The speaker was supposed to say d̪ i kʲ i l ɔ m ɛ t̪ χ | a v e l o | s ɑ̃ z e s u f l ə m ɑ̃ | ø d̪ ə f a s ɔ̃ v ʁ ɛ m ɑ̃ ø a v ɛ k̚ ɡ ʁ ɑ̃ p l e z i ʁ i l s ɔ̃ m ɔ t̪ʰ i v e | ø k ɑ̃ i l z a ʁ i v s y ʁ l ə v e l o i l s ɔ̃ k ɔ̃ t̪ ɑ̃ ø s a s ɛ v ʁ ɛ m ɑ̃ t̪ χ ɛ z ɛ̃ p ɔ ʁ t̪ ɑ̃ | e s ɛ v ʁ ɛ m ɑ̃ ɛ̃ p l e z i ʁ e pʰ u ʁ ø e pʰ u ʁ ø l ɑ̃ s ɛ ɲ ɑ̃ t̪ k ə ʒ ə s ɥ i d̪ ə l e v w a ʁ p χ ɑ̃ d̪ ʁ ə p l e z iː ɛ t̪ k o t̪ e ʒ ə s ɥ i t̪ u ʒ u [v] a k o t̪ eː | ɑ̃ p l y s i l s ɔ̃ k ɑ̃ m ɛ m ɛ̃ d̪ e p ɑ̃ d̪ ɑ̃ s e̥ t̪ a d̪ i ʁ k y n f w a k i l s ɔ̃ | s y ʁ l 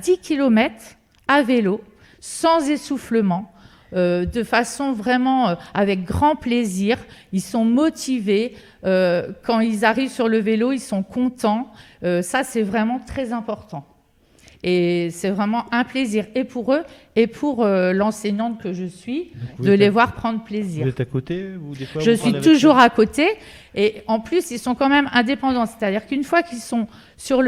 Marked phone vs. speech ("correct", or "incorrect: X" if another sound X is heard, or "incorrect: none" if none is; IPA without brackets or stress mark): incorrect: ʁ